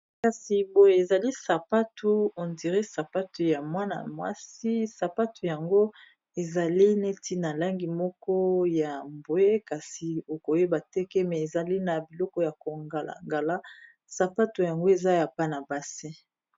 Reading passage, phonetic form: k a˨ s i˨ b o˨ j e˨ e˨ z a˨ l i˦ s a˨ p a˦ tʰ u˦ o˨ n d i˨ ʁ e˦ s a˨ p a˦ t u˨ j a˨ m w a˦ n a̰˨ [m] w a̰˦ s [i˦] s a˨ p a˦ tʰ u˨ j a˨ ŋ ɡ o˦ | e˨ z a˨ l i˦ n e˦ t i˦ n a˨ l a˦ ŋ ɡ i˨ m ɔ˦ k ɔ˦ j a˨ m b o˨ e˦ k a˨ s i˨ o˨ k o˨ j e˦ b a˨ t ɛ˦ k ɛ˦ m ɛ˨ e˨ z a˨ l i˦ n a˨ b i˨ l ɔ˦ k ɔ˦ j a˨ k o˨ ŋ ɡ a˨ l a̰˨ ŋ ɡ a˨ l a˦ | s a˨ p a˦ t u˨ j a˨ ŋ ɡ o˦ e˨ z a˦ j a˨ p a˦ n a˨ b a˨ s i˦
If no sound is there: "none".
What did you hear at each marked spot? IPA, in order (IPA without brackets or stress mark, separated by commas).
m, i˦